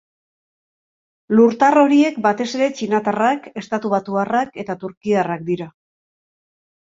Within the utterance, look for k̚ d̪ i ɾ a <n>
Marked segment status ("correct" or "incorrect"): incorrect